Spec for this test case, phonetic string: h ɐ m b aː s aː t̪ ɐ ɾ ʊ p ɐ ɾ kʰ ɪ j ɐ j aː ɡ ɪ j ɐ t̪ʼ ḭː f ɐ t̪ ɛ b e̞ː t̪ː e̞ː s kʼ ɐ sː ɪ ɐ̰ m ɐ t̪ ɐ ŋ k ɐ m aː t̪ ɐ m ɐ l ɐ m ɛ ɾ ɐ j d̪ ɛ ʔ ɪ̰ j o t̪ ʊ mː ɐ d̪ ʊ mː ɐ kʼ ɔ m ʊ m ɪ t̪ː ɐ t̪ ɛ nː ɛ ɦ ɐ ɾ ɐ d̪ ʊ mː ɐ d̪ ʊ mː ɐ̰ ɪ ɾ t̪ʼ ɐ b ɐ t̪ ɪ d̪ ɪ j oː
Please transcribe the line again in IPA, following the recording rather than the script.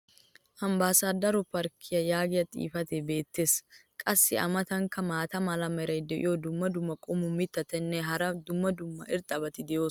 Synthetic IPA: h ɐ m b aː s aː d̪ ɐ ɾ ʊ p ɐ ɾ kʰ ɪ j ɐ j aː ɡ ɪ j ɐ t̪ʼ ḭː f ɐ t̪ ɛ b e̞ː t̪ː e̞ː s kʼ ɐ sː ɪ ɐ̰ m ɐ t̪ ɐ ŋ k ɐ m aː t̪ ɐ m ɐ l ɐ m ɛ ɾ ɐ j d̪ ɛ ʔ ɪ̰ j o d̪ ʊ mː ɐ d̪ ʊ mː ɐ kʼ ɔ m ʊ m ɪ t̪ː ɐ t̪ ɛ nː ɛ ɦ ɐ ɾ ɐ d̪ ʊ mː ɐ d̪ ʊ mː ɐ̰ ɪ ɾ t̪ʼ ɐ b ɐ t̪ ɪ d̪ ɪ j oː